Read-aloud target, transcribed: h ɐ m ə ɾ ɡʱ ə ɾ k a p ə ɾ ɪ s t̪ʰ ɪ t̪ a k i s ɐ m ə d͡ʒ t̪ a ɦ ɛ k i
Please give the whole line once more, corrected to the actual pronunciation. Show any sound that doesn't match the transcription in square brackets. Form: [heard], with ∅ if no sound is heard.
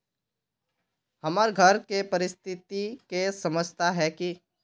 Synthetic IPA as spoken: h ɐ m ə ɾ ɡʱ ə ɾ k [e] p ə ɾ ɪ s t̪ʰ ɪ t̪ [i] k [e] s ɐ m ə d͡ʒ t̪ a ɦ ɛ k i